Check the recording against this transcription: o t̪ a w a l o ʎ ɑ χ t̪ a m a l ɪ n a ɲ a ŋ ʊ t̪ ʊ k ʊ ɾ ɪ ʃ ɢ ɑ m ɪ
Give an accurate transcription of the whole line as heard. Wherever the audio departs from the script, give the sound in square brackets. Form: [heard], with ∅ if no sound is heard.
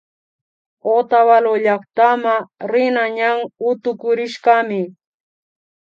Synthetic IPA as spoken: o t̪ a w a l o ʎ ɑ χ t̪ a m a [ɾ] ɪ n a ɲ a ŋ ʊ t̪ ʊ k ʊ ɾ ɪ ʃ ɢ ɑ m ɪ